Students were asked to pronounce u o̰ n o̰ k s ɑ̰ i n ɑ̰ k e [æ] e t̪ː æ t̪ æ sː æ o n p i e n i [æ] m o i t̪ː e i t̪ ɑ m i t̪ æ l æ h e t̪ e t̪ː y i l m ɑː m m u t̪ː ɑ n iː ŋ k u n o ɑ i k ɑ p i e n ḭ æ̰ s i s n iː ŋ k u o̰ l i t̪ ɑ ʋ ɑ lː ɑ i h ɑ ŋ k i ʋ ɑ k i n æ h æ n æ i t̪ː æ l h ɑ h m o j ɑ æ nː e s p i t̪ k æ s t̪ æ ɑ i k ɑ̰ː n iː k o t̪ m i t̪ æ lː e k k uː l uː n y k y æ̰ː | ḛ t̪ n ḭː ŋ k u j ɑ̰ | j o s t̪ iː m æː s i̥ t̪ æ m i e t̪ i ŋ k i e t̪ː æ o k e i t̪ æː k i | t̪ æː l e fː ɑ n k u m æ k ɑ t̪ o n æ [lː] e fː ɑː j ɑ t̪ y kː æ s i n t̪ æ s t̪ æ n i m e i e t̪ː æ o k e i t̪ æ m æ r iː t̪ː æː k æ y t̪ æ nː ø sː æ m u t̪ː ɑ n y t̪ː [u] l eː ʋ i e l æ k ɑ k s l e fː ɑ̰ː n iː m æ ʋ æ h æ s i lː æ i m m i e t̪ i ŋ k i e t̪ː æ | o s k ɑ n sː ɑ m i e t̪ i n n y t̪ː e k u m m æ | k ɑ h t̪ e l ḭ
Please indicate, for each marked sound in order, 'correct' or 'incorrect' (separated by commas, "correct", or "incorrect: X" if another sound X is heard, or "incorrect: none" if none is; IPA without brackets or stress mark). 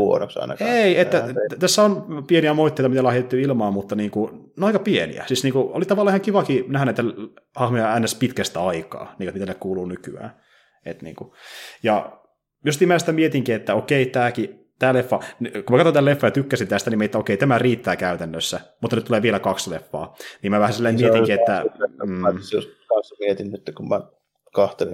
incorrect: i, correct, incorrect: l, correct